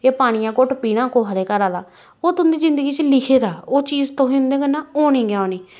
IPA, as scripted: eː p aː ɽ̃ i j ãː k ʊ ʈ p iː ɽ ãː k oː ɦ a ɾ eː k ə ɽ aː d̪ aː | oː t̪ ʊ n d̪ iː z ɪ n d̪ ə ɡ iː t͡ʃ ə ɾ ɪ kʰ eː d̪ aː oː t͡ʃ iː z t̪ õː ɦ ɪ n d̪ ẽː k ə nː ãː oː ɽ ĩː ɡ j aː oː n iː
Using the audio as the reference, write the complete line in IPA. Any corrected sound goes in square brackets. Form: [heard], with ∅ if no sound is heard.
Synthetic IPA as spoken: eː p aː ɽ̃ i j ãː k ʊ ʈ p iː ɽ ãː k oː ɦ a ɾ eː k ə [ɾ] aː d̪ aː | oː t̪ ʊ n d̪ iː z ɪ n d̪ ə ɡ iː t͡ʃ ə [l] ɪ kʰ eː d̪ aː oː t͡ʃ iː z t̪ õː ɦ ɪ n d̪ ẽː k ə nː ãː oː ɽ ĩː ɡ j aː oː n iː